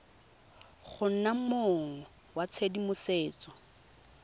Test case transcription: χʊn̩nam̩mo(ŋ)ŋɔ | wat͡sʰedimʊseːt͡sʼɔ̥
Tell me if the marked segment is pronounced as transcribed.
yes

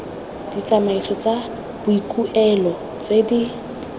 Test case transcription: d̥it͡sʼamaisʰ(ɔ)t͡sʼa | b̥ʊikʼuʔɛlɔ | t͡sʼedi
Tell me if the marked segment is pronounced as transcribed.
yes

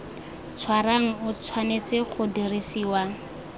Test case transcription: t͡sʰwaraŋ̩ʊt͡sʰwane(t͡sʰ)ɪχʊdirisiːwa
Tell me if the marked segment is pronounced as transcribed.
no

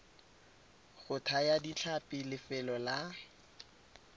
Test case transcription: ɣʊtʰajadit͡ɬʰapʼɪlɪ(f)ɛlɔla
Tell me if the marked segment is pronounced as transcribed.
yes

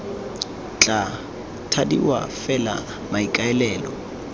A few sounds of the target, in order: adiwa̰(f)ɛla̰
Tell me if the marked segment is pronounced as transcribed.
yes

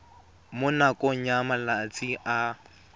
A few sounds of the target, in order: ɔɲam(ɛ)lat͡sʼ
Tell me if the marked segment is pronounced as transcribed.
no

